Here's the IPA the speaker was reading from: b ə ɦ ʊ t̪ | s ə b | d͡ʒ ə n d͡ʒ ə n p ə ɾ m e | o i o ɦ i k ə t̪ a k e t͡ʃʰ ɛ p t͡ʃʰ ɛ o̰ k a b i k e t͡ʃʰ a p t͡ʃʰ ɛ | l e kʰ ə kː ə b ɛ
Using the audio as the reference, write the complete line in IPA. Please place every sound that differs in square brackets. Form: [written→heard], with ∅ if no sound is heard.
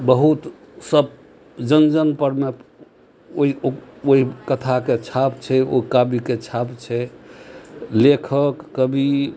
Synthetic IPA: b ə ɦ [ʊ→u] t̪ | s ə b | d͡ʒ ə n d͡ʒ ə n p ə ɾ m e | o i o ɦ i k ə [t̪→t̪ʰ] a k e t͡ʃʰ [ɛ→a] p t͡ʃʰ ɛ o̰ k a b i k e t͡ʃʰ a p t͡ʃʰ ɛ | l e kʰ ə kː ə b [ɛ→i]

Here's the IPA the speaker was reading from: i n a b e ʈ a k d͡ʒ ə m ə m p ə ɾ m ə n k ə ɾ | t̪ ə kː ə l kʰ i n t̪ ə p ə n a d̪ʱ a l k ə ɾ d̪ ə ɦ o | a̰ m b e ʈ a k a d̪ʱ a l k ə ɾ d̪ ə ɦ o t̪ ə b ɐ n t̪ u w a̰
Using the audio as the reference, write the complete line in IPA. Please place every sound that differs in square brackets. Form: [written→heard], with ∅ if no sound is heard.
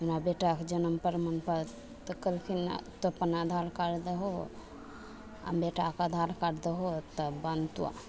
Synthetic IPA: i n a b e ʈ a k d͡ʒ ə [m→n] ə m p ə ɾ m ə n [k→p] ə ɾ | t̪ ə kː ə l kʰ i n t̪ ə p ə n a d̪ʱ a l k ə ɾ d̪ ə ɦ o | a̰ m b e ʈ a k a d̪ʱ a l k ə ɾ d̪ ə ɦ o t̪ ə b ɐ n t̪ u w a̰

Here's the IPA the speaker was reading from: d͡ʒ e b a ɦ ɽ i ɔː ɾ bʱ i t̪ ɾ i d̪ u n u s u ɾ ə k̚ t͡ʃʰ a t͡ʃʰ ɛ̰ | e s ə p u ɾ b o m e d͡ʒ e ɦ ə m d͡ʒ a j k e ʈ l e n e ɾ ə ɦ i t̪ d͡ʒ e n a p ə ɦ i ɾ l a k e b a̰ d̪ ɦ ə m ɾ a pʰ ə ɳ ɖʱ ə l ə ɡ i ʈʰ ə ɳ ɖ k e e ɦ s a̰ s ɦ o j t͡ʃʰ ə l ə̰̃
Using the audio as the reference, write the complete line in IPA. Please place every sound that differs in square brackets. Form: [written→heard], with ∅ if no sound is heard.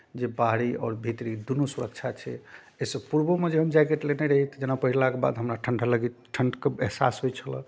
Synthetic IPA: d͡ʒ e b a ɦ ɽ i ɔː ɾ bʱ i t̪ ɾ i d̪ u n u s u ɾ ə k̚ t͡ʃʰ a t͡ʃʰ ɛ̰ | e s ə p u ɾ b o m e d͡ʒ e ɦ ə m d͡ʒ a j k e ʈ l e n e ɾ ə ɦ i t̪ d͡ʒ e n a p ə ɦ i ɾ l a k e b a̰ d̪ ɦ ə m ɾ a [pʰ→ʈʰ] ə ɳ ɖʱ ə l ə ɡ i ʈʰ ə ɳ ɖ k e e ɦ s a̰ s ɦ o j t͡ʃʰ ə l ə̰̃

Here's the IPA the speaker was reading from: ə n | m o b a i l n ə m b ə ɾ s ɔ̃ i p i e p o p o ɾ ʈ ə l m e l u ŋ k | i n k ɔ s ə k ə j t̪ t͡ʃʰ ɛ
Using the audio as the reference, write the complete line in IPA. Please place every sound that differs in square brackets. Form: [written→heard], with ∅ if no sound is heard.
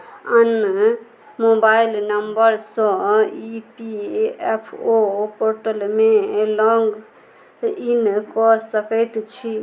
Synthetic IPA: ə n | m o b a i l n ə m b ə ɾ s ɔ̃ i p i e [p→pʰ] o p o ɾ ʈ ə l m e l [u→ɔ] ŋ [k→ɡ] | i n k ɔ s ə k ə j t̪ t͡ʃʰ [ɛ→i]

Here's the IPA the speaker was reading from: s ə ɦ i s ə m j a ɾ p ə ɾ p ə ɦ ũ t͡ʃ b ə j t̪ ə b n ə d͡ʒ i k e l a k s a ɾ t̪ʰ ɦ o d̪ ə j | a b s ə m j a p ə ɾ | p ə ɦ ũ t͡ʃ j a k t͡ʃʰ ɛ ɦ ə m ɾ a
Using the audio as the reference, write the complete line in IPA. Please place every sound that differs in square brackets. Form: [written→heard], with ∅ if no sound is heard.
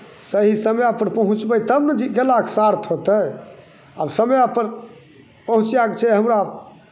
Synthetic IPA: s ə ɦ i s ə m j a [ɾ→∅] p ə ɾ p ə ɦ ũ t͡ʃ b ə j t̪ ə b n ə d͡ʒ i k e l a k s a ɾ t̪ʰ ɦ o [d̪→t̪] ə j | a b s ə m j a p ə ɾ | p ə ɦ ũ t͡ʃ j a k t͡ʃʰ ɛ ɦ ə m ɾ a

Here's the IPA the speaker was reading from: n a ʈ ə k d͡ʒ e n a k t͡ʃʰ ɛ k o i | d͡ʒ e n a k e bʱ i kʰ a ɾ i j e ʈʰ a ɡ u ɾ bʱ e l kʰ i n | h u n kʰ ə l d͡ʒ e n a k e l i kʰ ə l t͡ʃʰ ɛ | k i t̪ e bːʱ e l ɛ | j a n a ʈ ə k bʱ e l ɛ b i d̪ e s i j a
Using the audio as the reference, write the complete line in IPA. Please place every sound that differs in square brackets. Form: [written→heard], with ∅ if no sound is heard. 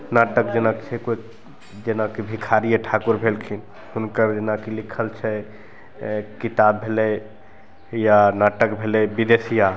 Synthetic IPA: n a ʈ ə k d͡ʒ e n a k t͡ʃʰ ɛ k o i | d͡ʒ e n a k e bʱ i kʰ a ɾ i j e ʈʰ a [ɡ→k] u ɾ bʱ e l kʰ i n | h u n [kʰ→k] ə [l→ɾ] d͡ʒ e n a k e l i kʰ ə l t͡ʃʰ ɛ | k i t̪ [e→a] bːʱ e l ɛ | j a n a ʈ ə k bʱ e l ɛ b i d̪ e s i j a

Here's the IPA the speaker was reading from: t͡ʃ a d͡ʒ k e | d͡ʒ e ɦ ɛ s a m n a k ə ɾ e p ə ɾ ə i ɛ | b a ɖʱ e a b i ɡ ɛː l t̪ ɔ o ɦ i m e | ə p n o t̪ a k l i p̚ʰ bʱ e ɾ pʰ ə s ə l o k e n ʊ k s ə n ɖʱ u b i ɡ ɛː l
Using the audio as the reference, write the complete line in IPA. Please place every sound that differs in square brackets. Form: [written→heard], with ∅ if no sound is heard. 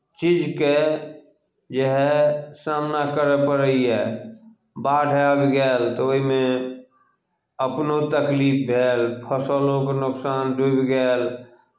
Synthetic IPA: t͡ʃ [a→i] d͡ʒ k e | d͡ʒ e ɦ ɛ s a m n a k ə ɾ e p ə ɾ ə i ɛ | b a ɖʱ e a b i ɡ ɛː l t̪ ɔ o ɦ i m e | ə p n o t̪ [a→ə] k l i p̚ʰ bʱ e [ɾ→l] pʰ ə s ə l o k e n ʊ k s [ə→a] n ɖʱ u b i ɡ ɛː l

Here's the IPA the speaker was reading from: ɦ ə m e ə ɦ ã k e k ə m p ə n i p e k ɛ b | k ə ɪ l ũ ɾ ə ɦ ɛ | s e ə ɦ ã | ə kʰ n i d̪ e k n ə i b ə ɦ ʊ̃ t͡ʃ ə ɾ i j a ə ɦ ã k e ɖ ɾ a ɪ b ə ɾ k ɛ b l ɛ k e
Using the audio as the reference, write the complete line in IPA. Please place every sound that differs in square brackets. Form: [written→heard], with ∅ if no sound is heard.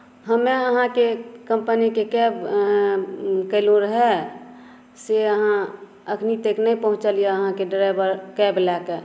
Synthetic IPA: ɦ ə m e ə ɦ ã k e k ə m p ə n i [p→k] e k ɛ b | k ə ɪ l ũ ɾ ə ɦ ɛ | s e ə ɦ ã | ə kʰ n i [d̪→t̪] e k n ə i [b→p] ə ɦ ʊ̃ t͡ʃ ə [ɾ→l] i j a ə ɦ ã k e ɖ ɾ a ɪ b ə ɾ k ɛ b l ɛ k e

